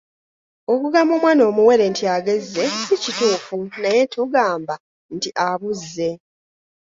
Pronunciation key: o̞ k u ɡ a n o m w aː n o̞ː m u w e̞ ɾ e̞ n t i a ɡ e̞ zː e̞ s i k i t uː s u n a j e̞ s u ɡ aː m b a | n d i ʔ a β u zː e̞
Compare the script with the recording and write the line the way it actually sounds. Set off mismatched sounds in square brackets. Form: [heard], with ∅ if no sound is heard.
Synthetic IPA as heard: o̞ k u ɡ a [m] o m w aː n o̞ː m u w e̞ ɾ e̞ n t i a ɡ e̞ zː e̞ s i [c] i t uː [f] u n a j e̞ [t] u ɡ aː m b a | n [t] i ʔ a β u zː e̞